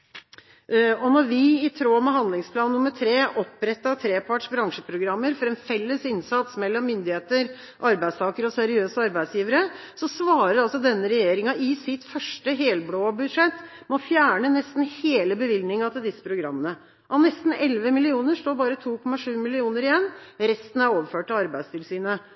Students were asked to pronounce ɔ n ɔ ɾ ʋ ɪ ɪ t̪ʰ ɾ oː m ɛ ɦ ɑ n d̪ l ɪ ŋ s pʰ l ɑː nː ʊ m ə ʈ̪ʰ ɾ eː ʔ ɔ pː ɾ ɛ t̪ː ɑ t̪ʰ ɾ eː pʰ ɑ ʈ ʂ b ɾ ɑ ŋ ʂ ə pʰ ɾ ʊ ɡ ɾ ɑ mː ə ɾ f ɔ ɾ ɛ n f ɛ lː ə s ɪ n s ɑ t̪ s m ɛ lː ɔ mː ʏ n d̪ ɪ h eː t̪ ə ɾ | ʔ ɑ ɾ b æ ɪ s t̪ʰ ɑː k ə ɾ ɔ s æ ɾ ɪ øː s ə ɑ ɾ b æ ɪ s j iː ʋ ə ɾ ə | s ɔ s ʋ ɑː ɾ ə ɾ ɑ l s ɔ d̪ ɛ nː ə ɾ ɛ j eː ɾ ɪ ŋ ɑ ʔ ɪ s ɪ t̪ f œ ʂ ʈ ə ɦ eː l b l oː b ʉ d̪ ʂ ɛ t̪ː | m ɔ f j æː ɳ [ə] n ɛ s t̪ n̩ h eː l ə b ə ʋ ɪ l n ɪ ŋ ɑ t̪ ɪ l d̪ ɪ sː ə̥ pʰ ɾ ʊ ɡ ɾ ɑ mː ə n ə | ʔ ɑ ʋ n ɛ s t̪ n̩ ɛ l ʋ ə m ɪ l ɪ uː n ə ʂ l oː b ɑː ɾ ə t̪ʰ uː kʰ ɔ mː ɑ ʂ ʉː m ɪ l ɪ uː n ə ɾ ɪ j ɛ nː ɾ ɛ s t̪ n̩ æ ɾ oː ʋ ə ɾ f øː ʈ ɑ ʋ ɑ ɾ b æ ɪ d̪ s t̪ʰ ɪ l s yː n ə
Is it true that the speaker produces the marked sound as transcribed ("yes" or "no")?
yes